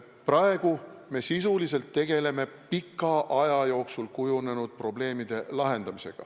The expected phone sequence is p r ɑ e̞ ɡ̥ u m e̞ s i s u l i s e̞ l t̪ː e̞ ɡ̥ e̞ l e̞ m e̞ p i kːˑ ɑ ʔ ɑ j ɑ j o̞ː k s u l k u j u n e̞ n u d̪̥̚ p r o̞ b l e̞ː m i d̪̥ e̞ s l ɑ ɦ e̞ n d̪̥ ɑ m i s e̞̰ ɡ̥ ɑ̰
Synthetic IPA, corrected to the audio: p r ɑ e̞ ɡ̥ u m e̞ s i s u l i s e̞ l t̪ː e̞ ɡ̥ e̞ l e̞ m e̞ p i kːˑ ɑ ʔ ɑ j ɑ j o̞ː k s u l k u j u n e̞ n u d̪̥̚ p r o̞ b l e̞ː m i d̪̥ e̞ l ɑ ɦ e̞ n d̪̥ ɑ m i s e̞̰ ɡ̥ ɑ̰